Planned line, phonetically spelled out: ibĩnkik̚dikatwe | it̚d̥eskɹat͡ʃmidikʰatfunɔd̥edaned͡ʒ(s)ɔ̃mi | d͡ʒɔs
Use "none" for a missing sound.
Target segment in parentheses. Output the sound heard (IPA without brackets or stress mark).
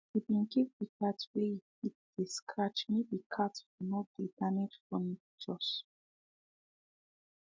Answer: f